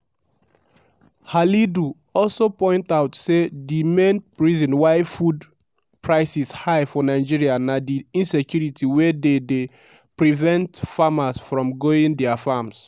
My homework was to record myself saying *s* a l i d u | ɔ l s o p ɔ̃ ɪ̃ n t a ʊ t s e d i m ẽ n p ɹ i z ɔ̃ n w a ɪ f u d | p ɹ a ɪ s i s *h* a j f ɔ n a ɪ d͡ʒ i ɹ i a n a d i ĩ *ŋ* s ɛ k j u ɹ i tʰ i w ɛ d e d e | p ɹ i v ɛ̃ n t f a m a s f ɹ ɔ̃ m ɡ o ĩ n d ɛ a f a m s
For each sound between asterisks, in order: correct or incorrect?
incorrect, correct, incorrect

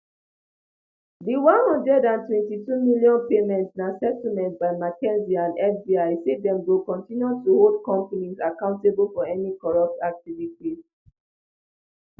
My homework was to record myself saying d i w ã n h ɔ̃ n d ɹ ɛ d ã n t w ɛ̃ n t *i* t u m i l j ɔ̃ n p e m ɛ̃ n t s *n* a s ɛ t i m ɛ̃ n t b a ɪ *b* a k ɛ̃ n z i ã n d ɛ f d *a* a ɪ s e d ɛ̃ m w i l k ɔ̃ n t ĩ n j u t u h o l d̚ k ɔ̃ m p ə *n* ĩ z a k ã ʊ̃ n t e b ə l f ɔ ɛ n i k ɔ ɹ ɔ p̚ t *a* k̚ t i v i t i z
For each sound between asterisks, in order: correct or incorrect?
correct, correct, incorrect, incorrect, correct, correct

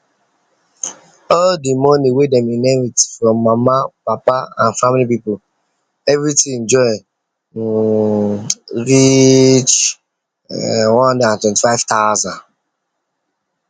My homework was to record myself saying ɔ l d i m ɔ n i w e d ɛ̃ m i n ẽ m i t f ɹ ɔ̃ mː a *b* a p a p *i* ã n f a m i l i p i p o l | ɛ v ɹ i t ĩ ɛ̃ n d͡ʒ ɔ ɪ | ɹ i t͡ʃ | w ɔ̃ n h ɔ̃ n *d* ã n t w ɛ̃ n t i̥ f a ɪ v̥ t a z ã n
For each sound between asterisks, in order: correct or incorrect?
incorrect, incorrect, correct

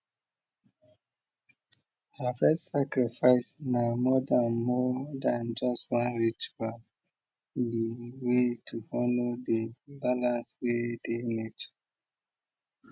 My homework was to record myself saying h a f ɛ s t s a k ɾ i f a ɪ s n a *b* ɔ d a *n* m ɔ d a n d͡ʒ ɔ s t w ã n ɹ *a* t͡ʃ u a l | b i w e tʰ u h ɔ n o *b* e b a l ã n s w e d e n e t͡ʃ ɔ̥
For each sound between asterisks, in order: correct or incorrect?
incorrect, correct, incorrect, incorrect

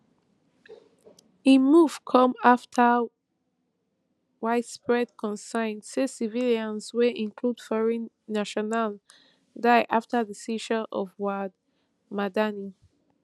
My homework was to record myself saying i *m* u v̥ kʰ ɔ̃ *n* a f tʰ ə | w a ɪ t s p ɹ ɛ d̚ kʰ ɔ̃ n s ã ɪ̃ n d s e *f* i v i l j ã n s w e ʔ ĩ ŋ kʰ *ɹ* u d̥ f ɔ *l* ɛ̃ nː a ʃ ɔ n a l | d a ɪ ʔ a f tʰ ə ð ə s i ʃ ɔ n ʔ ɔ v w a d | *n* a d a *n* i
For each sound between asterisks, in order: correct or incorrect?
correct, incorrect, incorrect, incorrect, incorrect, incorrect, correct

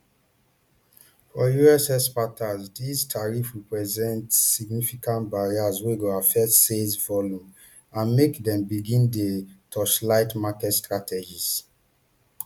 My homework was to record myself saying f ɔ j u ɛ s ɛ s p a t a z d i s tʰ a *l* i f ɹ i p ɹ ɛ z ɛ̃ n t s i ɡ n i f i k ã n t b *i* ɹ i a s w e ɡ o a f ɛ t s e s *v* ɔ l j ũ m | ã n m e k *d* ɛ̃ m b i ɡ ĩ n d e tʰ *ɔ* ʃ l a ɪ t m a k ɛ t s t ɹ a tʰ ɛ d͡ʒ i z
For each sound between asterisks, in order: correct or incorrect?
incorrect, incorrect, correct, correct, correct

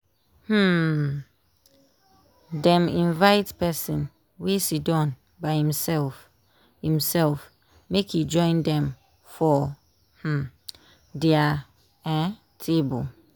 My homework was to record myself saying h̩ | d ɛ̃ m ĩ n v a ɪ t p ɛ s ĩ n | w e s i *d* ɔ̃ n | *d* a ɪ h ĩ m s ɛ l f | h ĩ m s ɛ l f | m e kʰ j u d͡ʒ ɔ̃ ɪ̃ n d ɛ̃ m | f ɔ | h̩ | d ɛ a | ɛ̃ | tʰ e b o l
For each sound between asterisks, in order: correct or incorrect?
correct, incorrect

